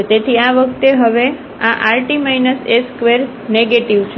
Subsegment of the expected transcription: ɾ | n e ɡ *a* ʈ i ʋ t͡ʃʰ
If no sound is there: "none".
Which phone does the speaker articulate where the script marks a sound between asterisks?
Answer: e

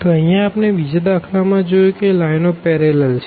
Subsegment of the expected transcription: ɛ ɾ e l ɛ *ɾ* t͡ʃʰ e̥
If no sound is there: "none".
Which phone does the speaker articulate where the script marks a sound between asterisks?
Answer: l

